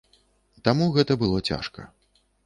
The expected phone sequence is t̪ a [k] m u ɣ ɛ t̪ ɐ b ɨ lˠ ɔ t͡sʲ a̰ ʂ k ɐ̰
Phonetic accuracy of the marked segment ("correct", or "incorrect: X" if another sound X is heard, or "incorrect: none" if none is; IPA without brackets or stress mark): incorrect: none